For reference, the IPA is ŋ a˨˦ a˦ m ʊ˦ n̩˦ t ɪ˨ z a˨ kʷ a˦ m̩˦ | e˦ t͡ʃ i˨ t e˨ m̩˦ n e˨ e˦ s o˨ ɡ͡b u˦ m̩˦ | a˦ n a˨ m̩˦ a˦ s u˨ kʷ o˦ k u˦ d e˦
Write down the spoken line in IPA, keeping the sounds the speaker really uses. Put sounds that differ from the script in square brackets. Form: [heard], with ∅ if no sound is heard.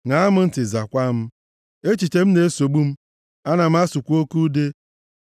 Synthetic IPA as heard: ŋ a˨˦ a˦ m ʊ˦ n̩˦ t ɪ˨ z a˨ kʷ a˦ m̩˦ | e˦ t͡ʃ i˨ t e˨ m̩˦ n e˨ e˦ s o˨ ɡ͡b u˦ m̩˦ | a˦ n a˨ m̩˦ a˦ s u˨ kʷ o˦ k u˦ d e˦